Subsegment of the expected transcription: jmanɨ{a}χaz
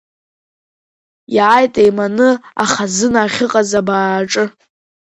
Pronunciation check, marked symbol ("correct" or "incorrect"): correct